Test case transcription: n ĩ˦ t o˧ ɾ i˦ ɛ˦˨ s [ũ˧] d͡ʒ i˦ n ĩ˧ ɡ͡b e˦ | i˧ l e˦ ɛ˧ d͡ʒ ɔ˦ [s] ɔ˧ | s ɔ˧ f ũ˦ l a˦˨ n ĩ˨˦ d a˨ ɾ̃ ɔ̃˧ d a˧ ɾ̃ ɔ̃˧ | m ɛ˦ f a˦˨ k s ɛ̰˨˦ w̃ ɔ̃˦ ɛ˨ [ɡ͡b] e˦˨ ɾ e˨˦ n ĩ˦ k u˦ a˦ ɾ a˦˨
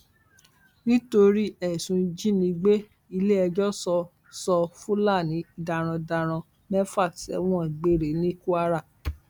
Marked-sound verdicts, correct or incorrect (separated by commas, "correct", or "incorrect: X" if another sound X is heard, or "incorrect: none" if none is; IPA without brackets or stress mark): correct, correct, correct